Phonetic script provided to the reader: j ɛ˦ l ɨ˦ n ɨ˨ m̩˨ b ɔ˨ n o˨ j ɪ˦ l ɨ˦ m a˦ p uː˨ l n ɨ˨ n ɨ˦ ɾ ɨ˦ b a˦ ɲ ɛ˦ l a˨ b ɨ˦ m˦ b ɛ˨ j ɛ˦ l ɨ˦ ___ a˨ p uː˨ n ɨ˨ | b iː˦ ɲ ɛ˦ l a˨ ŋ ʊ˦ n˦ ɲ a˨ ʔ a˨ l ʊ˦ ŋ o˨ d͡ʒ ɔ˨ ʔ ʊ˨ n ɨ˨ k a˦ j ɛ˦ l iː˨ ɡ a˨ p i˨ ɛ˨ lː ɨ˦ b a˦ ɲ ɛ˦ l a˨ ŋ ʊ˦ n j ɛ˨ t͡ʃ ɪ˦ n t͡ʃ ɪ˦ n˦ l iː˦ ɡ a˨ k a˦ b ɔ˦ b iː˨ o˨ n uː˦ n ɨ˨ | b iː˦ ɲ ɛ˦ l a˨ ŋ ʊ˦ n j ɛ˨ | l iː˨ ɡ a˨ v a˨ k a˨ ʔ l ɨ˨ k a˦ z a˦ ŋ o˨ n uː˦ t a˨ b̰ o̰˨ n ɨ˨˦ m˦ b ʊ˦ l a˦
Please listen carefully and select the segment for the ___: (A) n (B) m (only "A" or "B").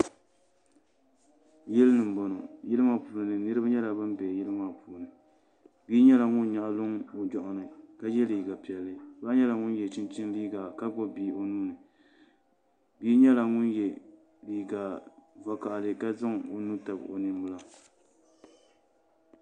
B